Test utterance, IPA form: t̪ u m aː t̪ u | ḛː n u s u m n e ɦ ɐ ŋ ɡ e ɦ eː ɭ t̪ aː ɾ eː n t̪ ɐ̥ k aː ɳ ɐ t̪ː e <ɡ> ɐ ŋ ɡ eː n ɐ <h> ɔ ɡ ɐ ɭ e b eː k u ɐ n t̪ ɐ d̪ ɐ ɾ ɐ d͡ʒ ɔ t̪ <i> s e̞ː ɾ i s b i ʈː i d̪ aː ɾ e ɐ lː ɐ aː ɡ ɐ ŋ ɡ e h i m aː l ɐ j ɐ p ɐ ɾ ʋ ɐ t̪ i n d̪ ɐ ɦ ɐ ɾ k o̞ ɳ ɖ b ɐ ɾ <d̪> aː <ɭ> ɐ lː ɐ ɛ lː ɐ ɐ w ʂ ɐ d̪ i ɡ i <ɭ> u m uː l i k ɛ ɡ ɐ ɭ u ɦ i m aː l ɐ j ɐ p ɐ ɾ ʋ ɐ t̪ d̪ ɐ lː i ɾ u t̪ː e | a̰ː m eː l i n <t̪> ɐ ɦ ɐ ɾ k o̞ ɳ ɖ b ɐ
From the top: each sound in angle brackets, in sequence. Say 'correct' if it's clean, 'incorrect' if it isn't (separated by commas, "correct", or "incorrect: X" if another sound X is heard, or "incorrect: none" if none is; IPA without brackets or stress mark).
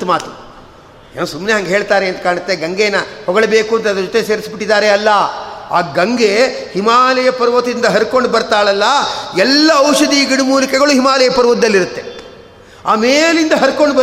correct, correct, incorrect: e, incorrect: t̪, correct, incorrect: ɽ, incorrect: d̪